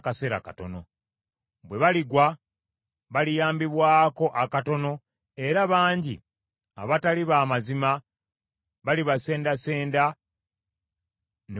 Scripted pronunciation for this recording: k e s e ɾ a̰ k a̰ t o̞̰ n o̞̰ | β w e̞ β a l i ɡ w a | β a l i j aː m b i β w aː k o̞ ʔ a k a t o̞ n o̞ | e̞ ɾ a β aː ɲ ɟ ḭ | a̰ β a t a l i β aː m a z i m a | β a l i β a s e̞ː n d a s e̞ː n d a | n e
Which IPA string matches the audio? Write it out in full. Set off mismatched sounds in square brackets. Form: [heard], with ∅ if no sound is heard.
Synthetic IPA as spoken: k [a] s e ɾ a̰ k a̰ t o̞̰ n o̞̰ | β w e̞ β a l i ɡ w a | β a l i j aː m b i β w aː k o̞ ʔ a k a t o̞ n o̞ | e̞ ɾ a β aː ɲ ɟ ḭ | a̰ β a t a l i β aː m a z i m a | β a l i β a s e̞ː n d a s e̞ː n d a | n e